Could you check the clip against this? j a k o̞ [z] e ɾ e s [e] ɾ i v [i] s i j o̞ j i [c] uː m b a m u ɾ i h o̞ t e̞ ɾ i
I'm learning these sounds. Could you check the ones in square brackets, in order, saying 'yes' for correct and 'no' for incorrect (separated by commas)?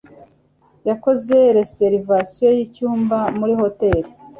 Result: yes, yes, no, yes